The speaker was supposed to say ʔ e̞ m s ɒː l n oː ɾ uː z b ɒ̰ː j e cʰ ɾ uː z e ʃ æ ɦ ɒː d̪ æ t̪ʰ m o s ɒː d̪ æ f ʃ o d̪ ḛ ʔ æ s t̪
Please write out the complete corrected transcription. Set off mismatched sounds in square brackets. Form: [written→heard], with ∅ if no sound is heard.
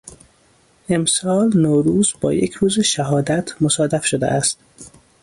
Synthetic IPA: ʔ e̞ m s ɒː l n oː ɾ uː z b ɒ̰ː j e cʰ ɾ uː z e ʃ æ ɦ ɒː d̪ æ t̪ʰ m o s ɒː d̪ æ f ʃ o d̪ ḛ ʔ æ s t̪